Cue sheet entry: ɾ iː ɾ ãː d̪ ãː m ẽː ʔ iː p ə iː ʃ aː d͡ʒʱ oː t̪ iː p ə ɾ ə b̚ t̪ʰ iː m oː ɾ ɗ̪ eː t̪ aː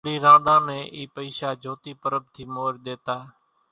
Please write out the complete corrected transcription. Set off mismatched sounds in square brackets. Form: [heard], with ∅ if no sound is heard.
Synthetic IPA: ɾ iː ɾ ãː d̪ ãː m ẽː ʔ iː p ə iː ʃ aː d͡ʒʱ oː t̪ iː p ə ɾ ə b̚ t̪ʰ iː m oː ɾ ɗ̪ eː t̪ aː